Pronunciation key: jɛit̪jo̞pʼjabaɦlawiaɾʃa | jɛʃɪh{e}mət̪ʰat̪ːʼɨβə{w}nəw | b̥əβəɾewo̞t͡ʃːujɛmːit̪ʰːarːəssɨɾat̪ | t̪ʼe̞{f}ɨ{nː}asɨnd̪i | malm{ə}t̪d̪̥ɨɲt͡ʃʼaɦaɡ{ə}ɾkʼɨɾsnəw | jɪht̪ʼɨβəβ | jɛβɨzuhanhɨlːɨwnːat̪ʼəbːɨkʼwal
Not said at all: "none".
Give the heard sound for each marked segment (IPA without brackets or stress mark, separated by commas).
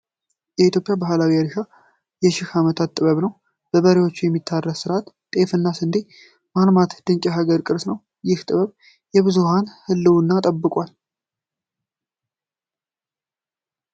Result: a, β, f, nː, a, ə